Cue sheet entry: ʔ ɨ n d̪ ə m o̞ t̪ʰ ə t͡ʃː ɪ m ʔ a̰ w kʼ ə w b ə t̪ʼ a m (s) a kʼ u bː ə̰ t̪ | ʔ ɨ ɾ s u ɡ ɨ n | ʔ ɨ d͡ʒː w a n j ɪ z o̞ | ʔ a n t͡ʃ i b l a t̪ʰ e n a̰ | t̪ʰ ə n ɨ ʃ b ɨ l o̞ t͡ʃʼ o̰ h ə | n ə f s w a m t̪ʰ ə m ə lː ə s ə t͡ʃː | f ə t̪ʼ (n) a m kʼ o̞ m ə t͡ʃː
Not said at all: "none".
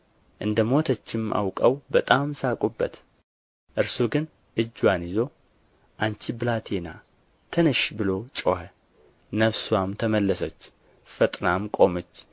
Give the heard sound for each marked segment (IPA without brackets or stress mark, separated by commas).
s, n